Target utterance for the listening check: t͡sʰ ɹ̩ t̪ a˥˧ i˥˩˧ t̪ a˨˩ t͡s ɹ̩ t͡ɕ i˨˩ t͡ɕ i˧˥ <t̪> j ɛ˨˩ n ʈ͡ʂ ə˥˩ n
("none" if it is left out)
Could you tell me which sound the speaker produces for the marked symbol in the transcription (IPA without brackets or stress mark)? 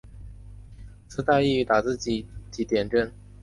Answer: t̪